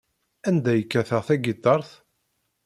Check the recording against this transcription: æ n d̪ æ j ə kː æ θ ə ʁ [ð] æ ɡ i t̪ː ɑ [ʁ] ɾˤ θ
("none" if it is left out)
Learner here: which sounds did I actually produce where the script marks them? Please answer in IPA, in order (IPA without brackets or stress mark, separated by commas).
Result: θ, none